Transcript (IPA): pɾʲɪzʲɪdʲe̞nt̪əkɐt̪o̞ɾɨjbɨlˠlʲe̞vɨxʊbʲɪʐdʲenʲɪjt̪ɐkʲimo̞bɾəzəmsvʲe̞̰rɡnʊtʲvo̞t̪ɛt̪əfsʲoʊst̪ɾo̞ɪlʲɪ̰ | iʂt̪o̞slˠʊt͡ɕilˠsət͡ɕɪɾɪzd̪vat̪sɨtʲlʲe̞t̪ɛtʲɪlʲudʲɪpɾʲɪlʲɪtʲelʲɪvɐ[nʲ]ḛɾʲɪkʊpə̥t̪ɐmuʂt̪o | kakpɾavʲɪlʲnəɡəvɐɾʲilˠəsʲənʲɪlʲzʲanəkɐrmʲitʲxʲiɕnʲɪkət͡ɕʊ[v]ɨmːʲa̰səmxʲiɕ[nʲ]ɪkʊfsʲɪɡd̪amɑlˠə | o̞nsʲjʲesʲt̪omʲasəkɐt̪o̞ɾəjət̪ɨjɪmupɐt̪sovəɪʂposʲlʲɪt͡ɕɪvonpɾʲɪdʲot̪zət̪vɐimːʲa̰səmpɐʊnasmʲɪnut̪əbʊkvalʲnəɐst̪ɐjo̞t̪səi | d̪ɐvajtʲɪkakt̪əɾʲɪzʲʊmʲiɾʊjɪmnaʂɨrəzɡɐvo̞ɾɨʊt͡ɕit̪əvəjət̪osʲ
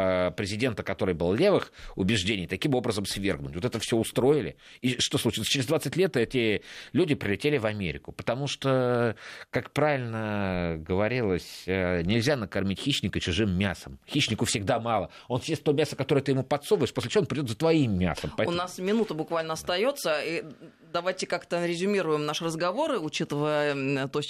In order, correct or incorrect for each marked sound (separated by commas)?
incorrect, incorrect, correct